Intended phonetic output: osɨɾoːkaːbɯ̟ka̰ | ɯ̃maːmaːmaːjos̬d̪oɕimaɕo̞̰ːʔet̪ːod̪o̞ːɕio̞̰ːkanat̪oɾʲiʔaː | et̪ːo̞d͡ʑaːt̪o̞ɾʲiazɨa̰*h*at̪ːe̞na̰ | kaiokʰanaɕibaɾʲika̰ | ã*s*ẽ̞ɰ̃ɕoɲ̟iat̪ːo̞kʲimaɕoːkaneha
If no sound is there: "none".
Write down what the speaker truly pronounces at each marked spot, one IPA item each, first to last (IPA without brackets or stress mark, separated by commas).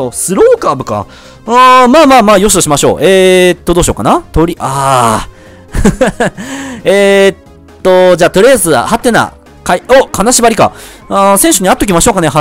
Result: h, s